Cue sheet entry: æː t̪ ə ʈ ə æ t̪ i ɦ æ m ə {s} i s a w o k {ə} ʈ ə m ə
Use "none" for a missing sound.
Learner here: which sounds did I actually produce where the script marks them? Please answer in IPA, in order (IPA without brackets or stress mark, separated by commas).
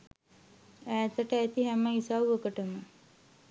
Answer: none, ə